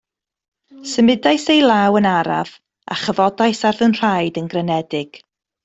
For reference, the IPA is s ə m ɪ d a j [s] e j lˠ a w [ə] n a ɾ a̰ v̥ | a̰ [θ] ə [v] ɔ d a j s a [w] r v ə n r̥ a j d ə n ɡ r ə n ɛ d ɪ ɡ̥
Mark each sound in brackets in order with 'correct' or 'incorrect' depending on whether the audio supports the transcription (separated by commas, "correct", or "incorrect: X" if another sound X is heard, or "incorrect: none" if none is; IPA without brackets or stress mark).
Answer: correct, correct, incorrect: χ, correct, incorrect: none